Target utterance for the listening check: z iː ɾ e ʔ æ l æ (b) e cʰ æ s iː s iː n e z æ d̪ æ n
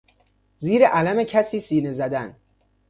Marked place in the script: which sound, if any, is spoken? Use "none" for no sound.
m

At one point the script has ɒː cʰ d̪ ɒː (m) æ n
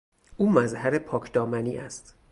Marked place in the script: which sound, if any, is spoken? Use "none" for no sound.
m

